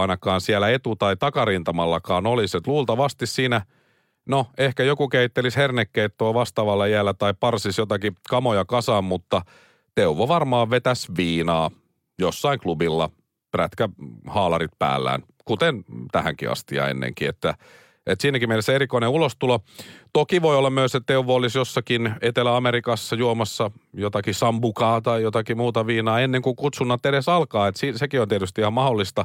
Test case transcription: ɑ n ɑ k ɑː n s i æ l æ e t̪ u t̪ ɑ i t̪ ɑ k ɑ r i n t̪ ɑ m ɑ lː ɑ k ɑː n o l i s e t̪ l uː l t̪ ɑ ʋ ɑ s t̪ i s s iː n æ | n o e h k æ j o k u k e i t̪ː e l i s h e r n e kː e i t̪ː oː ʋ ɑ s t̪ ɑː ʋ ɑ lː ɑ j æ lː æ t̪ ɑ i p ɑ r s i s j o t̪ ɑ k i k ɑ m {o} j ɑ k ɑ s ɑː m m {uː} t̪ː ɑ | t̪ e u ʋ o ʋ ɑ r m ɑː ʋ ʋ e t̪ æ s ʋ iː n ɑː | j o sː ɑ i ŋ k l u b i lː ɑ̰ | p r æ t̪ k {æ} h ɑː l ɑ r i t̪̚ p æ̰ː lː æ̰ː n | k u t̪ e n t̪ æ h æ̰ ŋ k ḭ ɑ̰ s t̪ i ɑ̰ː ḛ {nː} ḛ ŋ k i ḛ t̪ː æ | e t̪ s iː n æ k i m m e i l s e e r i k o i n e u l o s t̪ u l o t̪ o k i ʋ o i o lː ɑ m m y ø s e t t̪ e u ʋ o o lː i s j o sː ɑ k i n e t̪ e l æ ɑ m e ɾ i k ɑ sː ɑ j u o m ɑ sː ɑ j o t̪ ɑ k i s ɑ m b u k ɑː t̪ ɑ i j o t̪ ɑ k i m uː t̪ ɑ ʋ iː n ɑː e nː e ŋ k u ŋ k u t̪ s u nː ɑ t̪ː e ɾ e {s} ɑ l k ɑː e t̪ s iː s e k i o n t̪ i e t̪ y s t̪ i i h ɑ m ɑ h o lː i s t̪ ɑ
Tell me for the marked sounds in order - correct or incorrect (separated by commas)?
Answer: correct, incorrect, correct, correct, correct